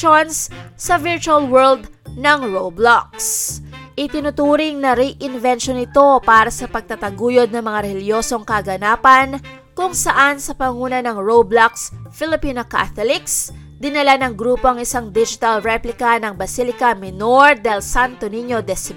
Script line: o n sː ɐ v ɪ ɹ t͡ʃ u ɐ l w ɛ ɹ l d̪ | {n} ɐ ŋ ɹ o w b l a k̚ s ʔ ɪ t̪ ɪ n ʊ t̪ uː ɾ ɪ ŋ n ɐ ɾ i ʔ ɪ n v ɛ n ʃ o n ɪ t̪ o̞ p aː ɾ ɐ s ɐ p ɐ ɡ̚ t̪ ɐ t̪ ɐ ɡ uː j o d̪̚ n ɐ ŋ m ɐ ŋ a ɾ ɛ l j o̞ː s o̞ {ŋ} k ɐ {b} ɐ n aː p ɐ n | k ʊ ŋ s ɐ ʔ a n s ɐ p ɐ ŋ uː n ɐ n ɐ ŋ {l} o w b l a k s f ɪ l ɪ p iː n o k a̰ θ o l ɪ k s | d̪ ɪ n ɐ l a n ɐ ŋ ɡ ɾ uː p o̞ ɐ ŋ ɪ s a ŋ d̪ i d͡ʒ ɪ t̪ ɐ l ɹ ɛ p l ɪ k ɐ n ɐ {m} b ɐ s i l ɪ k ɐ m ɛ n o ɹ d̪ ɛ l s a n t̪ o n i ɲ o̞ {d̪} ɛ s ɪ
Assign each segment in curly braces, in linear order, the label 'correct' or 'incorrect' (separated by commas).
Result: correct, correct, incorrect, incorrect, incorrect, correct